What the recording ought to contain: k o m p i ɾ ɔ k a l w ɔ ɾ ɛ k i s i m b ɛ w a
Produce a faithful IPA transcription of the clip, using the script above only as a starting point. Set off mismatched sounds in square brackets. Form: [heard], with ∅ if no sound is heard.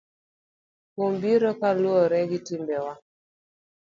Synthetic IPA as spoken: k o m [b] i ɾ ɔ k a l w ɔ ɾ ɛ [ɡ] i [t] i m b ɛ w a